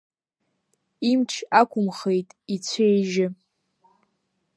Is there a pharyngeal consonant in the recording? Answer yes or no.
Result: no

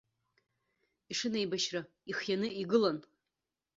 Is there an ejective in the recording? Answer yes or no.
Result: no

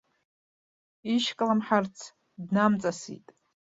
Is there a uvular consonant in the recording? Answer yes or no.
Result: no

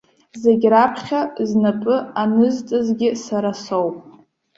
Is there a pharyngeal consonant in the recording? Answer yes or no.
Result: no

